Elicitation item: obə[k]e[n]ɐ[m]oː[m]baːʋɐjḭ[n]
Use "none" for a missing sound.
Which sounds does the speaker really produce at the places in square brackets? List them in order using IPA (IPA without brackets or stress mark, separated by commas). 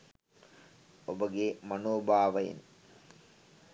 ɡ, m, n, none, n